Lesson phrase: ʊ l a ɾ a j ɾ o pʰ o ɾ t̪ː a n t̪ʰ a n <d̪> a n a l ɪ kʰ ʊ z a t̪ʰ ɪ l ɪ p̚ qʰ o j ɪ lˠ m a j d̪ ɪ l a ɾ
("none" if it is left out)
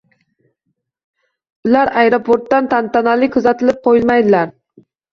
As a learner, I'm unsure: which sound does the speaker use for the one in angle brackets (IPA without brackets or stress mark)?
t̪